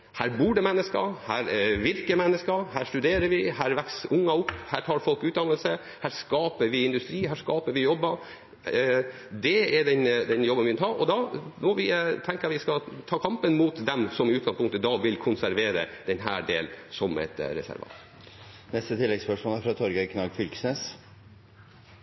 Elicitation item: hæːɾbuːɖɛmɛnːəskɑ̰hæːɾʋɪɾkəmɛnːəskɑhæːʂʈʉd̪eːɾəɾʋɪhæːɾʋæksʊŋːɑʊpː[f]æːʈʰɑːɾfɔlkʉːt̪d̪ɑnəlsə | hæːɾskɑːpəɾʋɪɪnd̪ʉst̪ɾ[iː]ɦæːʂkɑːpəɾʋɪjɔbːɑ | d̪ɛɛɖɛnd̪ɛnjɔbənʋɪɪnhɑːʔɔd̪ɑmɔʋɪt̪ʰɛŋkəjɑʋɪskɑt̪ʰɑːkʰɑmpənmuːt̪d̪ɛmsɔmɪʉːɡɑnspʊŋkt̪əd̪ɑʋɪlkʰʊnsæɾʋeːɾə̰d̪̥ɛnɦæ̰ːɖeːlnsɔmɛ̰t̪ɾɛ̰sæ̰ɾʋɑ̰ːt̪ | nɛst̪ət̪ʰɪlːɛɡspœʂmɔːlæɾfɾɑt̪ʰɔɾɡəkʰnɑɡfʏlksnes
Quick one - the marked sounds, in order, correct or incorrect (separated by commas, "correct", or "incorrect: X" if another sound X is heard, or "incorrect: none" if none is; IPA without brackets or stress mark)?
incorrect: h, correct